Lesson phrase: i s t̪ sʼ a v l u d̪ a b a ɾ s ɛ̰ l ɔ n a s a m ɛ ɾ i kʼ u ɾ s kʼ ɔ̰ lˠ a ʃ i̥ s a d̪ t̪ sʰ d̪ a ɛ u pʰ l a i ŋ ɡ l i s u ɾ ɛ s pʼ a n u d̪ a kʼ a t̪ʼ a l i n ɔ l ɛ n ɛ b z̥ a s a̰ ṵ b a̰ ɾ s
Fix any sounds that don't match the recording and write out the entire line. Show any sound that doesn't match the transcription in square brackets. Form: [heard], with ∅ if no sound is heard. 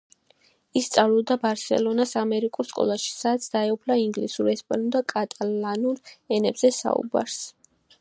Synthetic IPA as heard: i s t̪ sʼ a v l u d̪ a b a ɾ s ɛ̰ l ɔ n a s a m ɛ ɾ i kʼ u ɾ s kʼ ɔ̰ lˠ a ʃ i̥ s a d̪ t̪ sʰ d̪ a ɛ u pʰ l a i ŋ ɡ l i s u ɾ ɛ s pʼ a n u d̪ a kʼ a t̪ʼ a l [a] n [u] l ɛ n ɛ b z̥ [ɛ] s a̰ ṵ b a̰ ɾ s

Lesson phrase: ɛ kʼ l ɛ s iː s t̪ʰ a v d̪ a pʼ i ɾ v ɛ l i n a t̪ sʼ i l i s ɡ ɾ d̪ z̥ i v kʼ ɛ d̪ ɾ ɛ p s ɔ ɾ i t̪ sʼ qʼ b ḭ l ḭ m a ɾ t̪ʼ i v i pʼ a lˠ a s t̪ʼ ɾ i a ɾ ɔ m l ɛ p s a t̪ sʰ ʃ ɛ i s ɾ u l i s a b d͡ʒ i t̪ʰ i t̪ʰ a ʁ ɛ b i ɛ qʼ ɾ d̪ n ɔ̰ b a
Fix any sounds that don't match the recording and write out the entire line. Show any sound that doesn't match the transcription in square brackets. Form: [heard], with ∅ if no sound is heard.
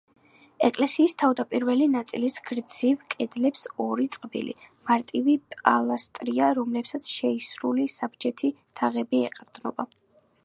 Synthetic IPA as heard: ɛ kʼ l ɛ s iː s t̪ʰ a v d̪ a pʼ i ɾ v ɛ l i n a t̪ sʼ i l i s ɡ ɾ d̪ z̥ i v kʼ ɛ d̪ [l] ɛ p s ɔ ɾ i t̪ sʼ qʼ b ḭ l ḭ m a ɾ t̪ʼ i v i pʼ a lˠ a s t̪ʼ ɾ i a ɾ ɔ m l ɛ p s a t̪ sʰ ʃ ɛ i s ɾ u l i s a b d͡ʒ [ɛ] t̪ʰ i t̪ʰ a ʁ ɛ b i ɛ qʼ ɾ d̪ n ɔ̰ b a

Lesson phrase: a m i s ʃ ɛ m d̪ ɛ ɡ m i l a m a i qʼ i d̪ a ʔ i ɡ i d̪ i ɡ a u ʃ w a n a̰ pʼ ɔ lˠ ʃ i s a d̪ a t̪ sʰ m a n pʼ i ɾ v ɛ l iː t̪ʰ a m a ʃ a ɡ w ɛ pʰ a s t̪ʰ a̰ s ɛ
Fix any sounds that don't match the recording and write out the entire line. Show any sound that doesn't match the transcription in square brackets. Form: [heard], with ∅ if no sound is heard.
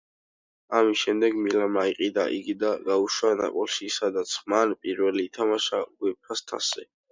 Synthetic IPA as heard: a m i s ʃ ɛ m d̪ ɛ ɡ m i l a m a i qʼ i d̪ a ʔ i ɡ i d̪ [a] ɡ a u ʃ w a n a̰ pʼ ɔ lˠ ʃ i s a d̪ a t̪ sʰ m a n pʼ i ɾ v ɛ l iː t̪ʰ a m a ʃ a ɡ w ɛ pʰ a s t̪ʰ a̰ s ɛ

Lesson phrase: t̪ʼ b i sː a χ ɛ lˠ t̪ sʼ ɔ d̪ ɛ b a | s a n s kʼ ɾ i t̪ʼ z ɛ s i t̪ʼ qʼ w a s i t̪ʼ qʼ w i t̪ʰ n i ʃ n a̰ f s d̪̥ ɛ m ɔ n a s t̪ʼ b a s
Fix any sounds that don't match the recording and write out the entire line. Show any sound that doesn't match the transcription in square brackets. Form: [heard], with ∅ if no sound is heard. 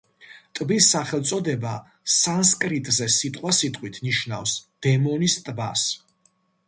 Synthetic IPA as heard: t̪ʼ b i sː a χ ɛ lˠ t̪ sʼ ɔ d̪ ɛ b a | s a n s kʼ ɾ i t̪ʼ z ɛ s i t̪ʼ qʼ w a s i t̪ʼ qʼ w i t̪ʰ n i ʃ n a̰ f s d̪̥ ɛ m ɔ n [i] s t̪ʼ b a s

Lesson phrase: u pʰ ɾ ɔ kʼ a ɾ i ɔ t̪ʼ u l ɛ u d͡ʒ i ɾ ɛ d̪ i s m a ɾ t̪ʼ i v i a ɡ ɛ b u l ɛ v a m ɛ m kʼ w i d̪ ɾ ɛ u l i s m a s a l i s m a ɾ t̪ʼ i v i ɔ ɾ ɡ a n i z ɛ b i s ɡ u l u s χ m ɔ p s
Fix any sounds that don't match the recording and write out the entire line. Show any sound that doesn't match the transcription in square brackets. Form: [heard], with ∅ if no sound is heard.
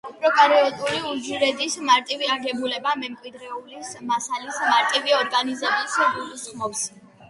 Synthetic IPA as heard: u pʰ ɾ ɔ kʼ a ɾ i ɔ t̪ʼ u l [i] u d͡ʒ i ɾ ɛ d̪ i s m a ɾ t̪ʼ i v i a ɡ ɛ b u l ɛ [b] a m ɛ m kʼ w i d̪ ɾ ɛ u l i s m a s a l i s m a ɾ t̪ʼ i v i ɔ ɾ ɡ a n i z ɛ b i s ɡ u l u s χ m ɔ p s

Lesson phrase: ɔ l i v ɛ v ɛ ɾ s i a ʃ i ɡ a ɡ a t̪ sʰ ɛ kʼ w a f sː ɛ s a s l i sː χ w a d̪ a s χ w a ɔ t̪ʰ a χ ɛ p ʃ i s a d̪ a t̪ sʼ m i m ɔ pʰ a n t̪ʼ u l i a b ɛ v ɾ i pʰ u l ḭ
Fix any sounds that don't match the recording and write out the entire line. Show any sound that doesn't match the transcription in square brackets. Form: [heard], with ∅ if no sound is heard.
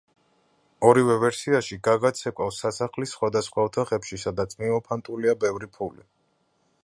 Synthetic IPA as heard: ɔ [ɾ] i v ɛ v ɛ ɾ s i a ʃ i ɡ a ɡ a t̪ sʰ ɛ kʼ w a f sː [a] s a [χ] l i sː χ w a d̪ a s χ w a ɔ t̪ʰ a χ ɛ p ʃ i s a d̪ a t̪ sʼ m i m ɔ pʰ a n t̪ʼ u l i a b ɛ v ɾ i pʰ u l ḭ

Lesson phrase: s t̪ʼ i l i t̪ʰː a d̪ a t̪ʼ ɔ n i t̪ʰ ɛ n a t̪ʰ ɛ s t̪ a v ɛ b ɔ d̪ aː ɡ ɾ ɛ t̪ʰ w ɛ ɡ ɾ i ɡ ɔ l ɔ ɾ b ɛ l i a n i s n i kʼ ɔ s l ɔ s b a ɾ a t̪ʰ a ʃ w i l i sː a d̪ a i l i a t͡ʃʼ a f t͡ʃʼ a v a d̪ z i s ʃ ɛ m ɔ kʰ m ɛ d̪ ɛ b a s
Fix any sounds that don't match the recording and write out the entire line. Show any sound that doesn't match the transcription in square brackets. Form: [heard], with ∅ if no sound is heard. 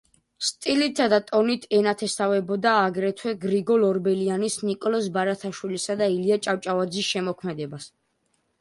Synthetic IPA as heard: s t̪ʼ i l i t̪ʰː a d̪ a t̪ʼ ɔ n i t̪ʰ ɛ n a t̪ʰ ɛ s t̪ a v ɛ b ɔ d̪ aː ɡ ɾ ɛ t̪ʰ w ɛ ɡ ɾ i ɡ ɔ l ɔ ɾ b ɛ l i a n i s n i kʼ ɔ [∅] l ɔ s b a ɾ a t̪ʰ a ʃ w i l i [s] a d̪ a i l i a t͡ʃʼ a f t͡ʃʼ a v a d̪ z i s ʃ ɛ m ɔ kʰ m ɛ d̪ ɛ b a s

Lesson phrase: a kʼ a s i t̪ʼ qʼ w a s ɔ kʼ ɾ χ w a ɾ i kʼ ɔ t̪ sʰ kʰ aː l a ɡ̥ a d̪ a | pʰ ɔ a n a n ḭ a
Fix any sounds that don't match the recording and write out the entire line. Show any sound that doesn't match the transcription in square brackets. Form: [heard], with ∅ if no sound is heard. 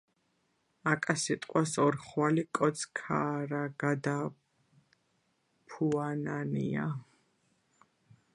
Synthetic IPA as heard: a kʼ a s i t̪ʼ qʼ w a s ɔ [∅] ɾ χ w a [l] i kʼ ɔ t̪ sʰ kʰ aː [ɾ] a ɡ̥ a d̪ a | pʰ [u] a n a n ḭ a

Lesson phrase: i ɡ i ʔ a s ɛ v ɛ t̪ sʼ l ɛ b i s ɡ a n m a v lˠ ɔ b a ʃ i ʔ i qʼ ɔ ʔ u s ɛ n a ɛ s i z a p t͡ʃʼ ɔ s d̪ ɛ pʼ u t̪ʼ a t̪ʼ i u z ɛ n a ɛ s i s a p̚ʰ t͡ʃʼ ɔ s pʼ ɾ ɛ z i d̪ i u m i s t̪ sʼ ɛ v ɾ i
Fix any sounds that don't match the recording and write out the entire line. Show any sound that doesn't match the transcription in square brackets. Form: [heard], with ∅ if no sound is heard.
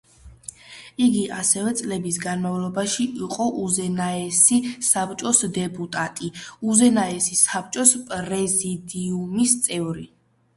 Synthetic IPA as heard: i ɡ i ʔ a s ɛ v ɛ t̪ sʼ l ɛ b i s ɡ a n m a v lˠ ɔ b a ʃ i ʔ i qʼ ɔ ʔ u [z] ɛ n a ɛ s i [s] a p t͡ʃʼ ɔ s d̪ ɛ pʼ u t̪ʼ a t̪ʼ i u z ɛ n a ɛ s i s a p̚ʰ t͡ʃʼ ɔ s pʼ ɾ ɛ z i d̪ i u m i s t̪ sʼ ɛ v ɾ i

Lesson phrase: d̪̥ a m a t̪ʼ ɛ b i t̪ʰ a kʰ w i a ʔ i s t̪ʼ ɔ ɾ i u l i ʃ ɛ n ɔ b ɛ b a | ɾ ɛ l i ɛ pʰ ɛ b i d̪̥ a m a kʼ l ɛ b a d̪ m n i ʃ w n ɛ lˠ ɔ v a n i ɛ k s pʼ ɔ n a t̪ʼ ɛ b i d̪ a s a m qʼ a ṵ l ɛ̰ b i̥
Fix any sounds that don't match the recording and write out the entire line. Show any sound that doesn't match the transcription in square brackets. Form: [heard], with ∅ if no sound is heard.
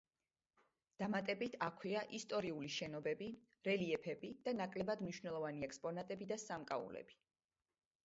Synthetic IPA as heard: d̪̥ a m a t̪ʼ ɛ b i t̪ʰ a kʰ w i a ʔ i s t̪ʼ ɔ ɾ i u l i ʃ ɛ n ɔ b ɛ b [i] | ɾ ɛ l i ɛ pʰ ɛ b i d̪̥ a [n] a kʼ l ɛ b a d̪ m n i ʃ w n ɛ lˠ ɔ v a n i ɛ k s pʼ ɔ n a t̪ʼ ɛ b i d̪ a s a m [kʼ] a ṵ l ɛ̰ b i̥

